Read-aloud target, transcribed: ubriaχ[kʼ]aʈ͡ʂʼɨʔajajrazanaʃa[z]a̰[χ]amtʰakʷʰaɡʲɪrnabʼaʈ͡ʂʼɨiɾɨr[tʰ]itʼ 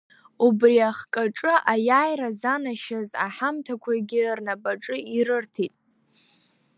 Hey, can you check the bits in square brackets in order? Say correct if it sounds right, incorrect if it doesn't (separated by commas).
correct, correct, incorrect, correct